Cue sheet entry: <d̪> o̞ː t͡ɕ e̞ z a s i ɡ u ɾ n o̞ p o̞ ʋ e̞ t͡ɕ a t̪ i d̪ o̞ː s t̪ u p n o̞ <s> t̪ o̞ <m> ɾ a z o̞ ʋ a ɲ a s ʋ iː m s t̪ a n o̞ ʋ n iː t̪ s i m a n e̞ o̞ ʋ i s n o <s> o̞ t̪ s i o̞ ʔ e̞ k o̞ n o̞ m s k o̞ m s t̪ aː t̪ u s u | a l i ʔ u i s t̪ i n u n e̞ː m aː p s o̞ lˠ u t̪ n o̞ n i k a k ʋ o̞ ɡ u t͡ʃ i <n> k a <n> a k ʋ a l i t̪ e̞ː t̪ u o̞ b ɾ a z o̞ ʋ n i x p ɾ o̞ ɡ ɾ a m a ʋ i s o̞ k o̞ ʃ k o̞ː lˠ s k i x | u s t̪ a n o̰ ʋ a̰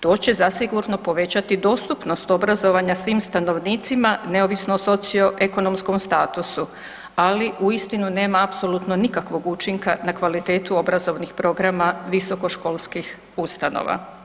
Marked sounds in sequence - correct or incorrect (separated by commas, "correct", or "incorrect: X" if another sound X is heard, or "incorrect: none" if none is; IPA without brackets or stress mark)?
incorrect: t̪, correct, incorrect: b, correct, incorrect: ŋ, correct